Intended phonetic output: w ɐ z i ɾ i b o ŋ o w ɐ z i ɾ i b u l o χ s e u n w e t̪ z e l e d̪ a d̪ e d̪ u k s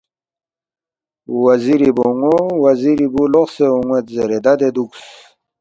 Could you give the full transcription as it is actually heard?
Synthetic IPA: w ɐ z i ɾ i b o ŋ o w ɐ z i ɾ i b u l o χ s e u ŋ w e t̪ z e ɾ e d̪ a d̪ e d̪ u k s